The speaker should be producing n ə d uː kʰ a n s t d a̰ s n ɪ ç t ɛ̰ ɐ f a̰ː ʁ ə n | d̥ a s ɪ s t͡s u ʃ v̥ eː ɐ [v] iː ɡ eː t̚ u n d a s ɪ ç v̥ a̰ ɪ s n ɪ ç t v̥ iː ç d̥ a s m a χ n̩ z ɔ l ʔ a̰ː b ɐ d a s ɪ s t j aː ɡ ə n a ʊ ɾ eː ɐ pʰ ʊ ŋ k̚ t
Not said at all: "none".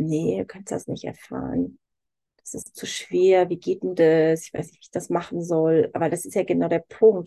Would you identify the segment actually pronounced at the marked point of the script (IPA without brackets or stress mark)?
v